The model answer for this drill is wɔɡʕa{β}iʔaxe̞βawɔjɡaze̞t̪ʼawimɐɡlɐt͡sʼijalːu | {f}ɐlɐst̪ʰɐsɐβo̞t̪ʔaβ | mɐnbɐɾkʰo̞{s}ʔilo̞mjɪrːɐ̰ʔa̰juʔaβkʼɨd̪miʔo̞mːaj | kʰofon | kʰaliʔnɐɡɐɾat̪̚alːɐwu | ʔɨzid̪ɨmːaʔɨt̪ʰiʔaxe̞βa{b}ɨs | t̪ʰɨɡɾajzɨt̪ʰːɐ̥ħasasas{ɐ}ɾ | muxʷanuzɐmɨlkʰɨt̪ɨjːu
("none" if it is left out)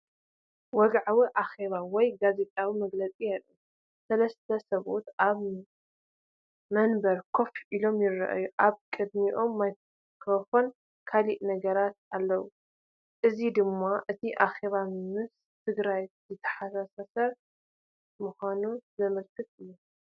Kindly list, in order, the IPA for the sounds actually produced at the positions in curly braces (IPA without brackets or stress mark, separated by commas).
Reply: w, s, f, m, ɐ